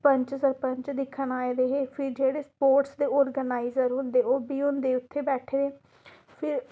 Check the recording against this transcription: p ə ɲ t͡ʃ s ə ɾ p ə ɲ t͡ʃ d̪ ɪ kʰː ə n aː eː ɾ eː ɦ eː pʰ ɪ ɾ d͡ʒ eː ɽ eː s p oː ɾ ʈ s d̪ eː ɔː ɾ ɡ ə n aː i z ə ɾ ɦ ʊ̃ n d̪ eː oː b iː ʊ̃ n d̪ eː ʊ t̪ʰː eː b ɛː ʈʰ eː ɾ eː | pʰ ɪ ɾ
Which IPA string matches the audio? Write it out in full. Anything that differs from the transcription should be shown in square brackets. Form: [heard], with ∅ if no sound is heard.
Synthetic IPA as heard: p ə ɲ t͡ʃ s ə ɾ p ə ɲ t͡ʃ d̪ ɪ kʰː ə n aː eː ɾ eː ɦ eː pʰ ɪ ɾ d͡ʒ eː ɽ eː s p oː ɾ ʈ s d̪ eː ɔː ɾ ɡ ə n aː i z ə ɾ ɦ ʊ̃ n d̪ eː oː b iː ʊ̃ n d̪ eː ʊ t̪ʰː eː b ɛː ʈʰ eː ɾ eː | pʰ ɪ ɾ

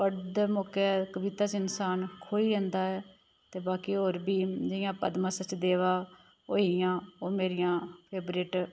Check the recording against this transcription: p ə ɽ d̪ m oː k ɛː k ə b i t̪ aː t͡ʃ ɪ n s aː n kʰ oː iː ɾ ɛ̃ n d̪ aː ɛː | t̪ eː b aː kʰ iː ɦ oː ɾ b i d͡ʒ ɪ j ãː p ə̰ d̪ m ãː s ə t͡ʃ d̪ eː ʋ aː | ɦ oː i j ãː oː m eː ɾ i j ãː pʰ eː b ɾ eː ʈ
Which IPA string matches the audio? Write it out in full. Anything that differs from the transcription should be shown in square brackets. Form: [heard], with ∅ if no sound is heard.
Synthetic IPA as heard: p ə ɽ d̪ m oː k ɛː k ə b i t̪ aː t͡ʃ ɪ n s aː n kʰ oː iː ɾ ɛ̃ n d̪ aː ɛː | t̪ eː b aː [k] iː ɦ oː ɾ b [iː] d͡ʒ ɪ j ãː p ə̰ d̪ m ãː s ə t͡ʃ d̪ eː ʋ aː | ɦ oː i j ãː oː m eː ɾ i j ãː pʰ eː b ɾ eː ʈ

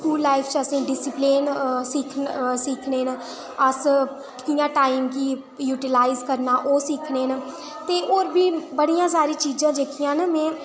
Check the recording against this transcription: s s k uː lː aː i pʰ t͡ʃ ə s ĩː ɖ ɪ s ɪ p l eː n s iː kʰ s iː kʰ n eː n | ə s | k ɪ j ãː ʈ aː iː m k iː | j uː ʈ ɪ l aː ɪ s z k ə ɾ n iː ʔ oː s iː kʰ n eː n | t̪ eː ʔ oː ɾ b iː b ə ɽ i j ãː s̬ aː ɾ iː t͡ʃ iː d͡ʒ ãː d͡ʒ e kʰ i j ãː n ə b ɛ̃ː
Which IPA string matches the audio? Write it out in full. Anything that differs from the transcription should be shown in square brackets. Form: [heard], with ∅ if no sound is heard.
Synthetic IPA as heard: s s k uː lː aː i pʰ t͡ʃ ə s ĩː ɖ ɪ s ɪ p l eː n s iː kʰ s iː kʰ n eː n | ə s | k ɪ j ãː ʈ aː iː m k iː | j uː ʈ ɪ l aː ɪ [∅] z k ə ɾ n [aː] ʔ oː s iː kʰ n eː n | t̪ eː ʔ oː ɾ b iː b ə ɽ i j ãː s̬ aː ɾ iː t͡ʃ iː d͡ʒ ãː d͡ʒ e kʰ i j ãː n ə [m] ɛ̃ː

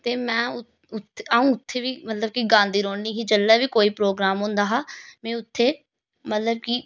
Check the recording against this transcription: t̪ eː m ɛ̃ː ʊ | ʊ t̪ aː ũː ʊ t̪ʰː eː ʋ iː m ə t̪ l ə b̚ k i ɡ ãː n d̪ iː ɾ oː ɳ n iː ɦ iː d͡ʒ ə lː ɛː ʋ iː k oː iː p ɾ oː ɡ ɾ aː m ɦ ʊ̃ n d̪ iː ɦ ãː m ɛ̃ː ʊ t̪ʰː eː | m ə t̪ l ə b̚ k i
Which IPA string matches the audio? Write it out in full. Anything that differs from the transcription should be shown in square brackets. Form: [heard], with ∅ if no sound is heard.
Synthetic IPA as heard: t̪ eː m ɛ̃ː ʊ | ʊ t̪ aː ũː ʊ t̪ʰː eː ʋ iː m ə t̪ l ə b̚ k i ɡ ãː n d̪ iː ɾ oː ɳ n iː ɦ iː d͡ʒ ə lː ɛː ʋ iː k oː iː p ɾ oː ɡ ɾ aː m ɦ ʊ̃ n d̪ [aː] ɦ [aː] m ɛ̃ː ʊ t̪ʰː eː | m ə t̪ l ə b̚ k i

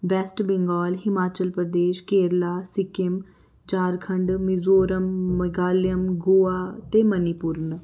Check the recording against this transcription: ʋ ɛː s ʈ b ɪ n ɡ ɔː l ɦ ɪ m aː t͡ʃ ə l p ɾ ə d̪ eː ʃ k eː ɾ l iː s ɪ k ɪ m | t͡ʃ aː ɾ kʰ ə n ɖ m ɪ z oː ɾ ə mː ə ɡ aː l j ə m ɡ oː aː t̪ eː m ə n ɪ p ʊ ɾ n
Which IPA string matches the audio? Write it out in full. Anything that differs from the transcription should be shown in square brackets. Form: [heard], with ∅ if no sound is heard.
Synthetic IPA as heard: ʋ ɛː s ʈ b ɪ [ŋ] ɡ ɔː l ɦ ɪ m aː t͡ʃ ə l p ɾ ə d̪ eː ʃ k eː ɾ l [aː] s ɪ k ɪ m | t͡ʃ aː ɾ kʰ ə [ɳ] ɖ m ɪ z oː ɾ ə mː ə ɡ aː l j ə m ɡ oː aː t̪ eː m ə n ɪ p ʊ ɾ n

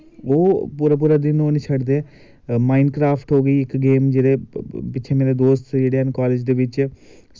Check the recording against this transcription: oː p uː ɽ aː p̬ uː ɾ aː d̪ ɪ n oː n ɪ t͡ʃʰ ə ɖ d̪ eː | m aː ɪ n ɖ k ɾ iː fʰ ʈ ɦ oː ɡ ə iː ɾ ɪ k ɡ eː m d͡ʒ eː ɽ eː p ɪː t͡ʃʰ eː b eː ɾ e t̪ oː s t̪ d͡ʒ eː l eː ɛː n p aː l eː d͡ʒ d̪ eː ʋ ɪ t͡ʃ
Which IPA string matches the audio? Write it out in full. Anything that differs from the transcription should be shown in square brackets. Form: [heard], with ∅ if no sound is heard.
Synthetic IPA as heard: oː p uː [ɾ] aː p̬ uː ɾ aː d̪ ɪ n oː n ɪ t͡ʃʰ ə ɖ d̪ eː | m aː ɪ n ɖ k ɾ [aː] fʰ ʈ ɦ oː ɡ ə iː [∅] ɪ k ɡ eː m d͡ʒ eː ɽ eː p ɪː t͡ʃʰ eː [m] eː ɾ e [d̪] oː s t̪ d͡ʒ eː [ɽ] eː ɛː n [k] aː l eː d͡ʒ d̪ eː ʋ ɪ t͡ʃ

